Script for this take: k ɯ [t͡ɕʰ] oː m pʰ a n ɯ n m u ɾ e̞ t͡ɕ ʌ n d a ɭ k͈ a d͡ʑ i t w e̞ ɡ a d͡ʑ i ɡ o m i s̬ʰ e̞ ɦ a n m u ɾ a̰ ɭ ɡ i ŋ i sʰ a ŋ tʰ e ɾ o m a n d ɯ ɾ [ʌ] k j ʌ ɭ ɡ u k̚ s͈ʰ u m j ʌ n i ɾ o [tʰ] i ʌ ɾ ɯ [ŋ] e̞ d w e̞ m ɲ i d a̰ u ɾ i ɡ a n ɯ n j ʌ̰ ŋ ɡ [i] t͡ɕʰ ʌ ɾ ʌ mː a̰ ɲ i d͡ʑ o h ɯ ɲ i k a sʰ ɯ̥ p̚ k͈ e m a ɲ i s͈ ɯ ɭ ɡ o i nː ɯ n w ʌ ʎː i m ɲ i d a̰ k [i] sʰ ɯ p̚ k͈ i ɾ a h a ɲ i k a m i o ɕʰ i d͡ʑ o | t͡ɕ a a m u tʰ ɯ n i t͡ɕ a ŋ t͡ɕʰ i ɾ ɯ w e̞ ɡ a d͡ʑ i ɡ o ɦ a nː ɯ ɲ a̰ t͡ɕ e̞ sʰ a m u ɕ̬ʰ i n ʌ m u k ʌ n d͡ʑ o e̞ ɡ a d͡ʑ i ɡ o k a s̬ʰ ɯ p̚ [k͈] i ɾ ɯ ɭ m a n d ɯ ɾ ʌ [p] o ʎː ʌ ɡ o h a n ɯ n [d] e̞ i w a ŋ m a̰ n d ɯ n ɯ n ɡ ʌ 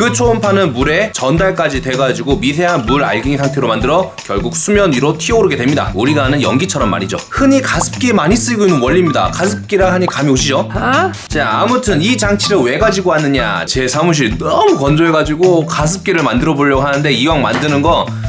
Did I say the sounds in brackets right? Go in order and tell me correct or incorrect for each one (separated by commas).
correct, correct, correct, incorrect, correct, incorrect, correct, incorrect, correct